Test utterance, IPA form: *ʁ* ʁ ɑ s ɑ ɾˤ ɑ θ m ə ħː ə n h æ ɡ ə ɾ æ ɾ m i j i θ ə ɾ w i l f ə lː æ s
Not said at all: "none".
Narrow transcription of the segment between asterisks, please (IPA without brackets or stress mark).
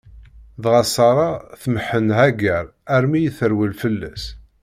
ð